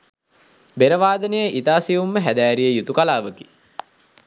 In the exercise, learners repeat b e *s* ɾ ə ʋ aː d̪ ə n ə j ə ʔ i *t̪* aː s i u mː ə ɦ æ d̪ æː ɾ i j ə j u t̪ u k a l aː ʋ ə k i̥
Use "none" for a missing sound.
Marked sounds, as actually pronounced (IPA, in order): none, t̪

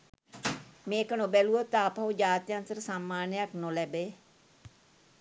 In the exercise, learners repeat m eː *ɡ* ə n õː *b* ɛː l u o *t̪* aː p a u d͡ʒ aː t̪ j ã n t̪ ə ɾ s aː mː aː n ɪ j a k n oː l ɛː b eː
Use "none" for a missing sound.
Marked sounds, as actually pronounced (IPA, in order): k, b, t̪

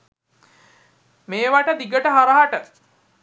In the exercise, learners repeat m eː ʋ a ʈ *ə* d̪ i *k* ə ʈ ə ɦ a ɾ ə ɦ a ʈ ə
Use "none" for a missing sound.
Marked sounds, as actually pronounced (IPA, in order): ə, ɡ

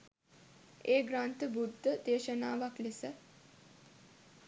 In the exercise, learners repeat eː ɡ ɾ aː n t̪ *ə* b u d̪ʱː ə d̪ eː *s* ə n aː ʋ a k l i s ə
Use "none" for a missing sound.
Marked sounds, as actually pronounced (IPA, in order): ə, ʃ

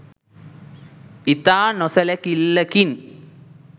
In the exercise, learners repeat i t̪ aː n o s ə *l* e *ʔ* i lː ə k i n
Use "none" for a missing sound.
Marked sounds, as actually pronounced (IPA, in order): l, k

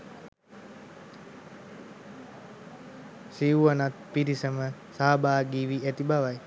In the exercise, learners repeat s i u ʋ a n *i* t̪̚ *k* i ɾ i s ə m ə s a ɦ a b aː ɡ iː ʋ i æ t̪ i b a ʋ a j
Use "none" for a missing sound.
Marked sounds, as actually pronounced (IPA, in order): a, p

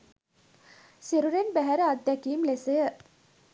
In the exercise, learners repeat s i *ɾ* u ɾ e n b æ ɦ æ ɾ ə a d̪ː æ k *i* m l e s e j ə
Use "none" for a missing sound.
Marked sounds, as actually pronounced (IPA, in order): ɾ, iː

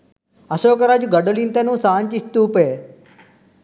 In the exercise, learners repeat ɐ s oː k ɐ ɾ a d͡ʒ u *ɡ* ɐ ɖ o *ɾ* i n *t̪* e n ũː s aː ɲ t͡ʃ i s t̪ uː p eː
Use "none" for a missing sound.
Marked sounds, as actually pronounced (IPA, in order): ɡ, l, t̪

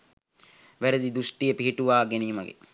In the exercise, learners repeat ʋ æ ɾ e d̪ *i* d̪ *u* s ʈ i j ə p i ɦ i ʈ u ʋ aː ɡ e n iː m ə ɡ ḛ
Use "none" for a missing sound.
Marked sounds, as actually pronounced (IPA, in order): i, u

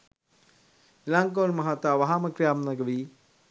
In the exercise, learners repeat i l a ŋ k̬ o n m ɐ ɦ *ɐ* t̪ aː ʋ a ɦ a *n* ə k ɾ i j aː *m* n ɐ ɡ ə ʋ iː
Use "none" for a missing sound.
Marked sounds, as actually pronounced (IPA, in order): a, m, m

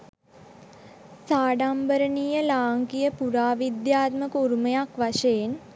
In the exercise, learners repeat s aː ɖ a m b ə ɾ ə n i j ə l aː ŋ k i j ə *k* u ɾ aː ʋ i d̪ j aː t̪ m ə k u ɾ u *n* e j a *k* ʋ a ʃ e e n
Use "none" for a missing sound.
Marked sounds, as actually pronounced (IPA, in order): p, m, k

